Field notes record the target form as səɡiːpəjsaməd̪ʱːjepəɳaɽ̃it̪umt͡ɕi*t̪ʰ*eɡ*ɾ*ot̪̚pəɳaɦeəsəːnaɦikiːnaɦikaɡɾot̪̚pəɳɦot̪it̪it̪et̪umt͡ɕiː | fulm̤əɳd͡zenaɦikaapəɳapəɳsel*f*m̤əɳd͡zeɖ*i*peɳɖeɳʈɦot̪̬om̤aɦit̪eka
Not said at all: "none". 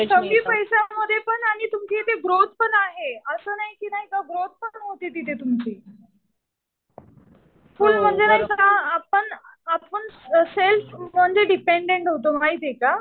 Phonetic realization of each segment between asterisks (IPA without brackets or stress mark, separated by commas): t̪, ɾ, f, i